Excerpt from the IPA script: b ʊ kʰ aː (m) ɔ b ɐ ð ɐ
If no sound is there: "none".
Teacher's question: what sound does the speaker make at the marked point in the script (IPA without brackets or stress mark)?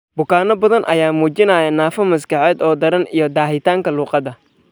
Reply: n